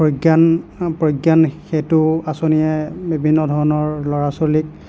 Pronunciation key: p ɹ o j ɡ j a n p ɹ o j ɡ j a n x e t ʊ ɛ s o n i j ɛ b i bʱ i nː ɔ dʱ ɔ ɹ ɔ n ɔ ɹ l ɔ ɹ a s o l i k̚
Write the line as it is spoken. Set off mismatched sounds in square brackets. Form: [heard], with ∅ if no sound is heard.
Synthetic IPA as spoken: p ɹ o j ɡ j a n p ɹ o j ɡ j a n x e t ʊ [a] s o n i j ɛ b i bʱ i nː ɔ dʱ ɔ ɹ ɔ n ɔ ɹ l ɔ ɹ a s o l i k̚